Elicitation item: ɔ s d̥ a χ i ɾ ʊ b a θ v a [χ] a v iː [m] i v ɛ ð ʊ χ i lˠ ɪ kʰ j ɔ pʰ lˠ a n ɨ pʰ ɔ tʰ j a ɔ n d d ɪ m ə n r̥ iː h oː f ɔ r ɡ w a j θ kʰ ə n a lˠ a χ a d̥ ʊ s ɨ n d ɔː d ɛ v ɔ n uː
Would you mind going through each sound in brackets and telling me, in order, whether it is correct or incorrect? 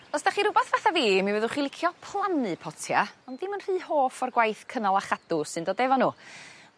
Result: incorrect, correct

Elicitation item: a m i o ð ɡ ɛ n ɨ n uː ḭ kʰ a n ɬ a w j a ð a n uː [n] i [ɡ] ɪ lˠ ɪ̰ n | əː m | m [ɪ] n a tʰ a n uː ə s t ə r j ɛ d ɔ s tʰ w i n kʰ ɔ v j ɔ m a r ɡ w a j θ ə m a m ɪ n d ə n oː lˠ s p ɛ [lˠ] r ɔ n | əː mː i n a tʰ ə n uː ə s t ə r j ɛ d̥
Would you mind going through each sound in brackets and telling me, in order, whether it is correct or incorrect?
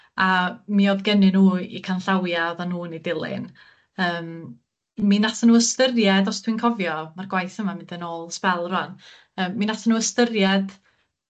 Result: correct, incorrect, incorrect, correct

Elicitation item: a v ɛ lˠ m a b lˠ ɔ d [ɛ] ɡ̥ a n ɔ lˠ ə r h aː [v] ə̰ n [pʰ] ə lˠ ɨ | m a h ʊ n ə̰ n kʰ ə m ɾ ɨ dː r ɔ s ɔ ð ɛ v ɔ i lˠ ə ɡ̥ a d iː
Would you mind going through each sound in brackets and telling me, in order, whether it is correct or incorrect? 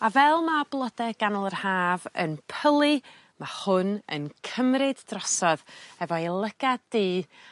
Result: correct, correct, correct

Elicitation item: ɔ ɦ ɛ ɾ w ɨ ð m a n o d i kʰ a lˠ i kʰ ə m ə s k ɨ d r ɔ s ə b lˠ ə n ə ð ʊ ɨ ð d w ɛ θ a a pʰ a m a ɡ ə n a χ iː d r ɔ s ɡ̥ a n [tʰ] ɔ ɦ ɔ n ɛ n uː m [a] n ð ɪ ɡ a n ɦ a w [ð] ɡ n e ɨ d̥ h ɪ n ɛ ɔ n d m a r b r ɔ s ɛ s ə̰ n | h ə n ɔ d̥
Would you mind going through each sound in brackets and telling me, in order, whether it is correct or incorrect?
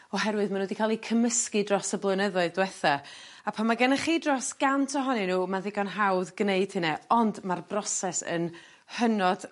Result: correct, correct, correct

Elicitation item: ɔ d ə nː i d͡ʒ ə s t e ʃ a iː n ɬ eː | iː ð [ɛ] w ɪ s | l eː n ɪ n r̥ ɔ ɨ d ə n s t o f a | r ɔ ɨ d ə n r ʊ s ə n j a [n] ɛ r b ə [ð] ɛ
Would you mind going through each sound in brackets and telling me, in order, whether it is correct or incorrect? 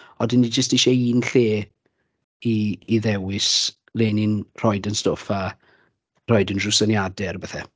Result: correct, incorrect, incorrect

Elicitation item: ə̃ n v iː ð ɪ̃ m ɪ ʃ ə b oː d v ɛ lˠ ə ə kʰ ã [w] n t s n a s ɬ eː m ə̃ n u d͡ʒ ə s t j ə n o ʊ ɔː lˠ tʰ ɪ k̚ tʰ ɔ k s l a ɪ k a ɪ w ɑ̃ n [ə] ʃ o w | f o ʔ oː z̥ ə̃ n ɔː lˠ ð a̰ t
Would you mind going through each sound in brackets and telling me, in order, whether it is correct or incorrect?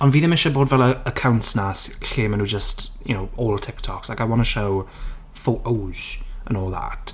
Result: correct, correct

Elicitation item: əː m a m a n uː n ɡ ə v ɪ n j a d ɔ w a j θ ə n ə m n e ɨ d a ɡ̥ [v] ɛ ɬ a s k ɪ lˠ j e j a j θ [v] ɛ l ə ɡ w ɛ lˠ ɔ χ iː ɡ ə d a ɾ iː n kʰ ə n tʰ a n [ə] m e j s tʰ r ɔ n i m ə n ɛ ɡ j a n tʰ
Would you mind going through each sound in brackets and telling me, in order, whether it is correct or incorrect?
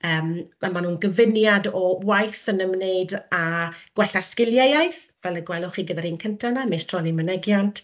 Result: incorrect, correct, incorrect

